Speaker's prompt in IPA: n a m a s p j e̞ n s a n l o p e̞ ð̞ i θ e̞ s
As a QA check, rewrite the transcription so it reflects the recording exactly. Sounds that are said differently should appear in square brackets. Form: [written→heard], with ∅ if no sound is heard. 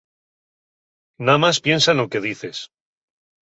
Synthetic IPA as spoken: n a m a s p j e̞ n s a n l o [p→k] e̞ ð̞ i θ e̞ s